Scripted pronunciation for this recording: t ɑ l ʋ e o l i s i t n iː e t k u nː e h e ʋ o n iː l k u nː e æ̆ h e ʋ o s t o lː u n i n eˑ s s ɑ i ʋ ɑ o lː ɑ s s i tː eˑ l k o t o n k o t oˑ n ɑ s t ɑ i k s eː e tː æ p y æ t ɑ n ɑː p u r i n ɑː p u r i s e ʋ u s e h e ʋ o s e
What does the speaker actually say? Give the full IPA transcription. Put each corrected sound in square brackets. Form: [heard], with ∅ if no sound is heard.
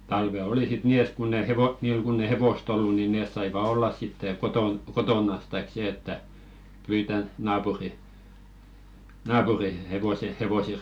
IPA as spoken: t ɑ l ʋ e o l i s i t n iː e t k u nː e h e ʋ o n iː l k u nː e [ĭ] h e ʋ o s t o lː u n i n eˑ s s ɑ i ʋ ɑ o lː ɑ s s i tː eˑ [∅] k o t o n k o t oˑ n ɑ s t ɑ i k s eː e tː æ p y [i] t ɑ n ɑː p u r i n ɑː p u r i [h] e ʋ [o] s e h e ʋ o s e